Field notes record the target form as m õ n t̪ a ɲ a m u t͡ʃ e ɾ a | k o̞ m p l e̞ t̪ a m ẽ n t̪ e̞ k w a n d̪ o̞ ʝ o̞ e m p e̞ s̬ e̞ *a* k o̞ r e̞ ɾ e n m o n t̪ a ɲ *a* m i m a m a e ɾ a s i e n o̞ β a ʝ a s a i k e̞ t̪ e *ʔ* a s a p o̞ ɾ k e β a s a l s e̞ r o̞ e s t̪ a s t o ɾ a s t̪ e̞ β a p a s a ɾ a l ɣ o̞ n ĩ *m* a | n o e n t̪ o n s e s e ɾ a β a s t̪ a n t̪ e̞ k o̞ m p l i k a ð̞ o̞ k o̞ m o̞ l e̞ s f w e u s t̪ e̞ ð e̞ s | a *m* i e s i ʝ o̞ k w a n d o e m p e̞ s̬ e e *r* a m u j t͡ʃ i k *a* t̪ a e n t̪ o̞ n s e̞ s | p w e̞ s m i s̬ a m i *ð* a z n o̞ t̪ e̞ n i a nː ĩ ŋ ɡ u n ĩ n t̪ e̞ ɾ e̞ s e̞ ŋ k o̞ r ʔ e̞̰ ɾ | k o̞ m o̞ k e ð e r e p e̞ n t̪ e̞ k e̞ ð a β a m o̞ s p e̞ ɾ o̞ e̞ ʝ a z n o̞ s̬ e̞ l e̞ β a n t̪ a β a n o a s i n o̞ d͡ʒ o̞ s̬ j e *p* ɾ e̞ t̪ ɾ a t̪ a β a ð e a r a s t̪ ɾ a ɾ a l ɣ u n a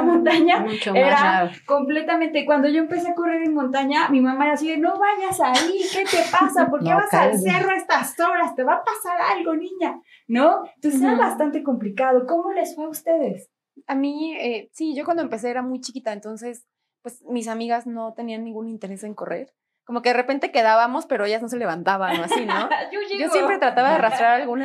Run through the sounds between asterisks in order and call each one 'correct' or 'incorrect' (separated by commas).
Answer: correct, correct, incorrect, incorrect, correct, incorrect, incorrect, incorrect, correct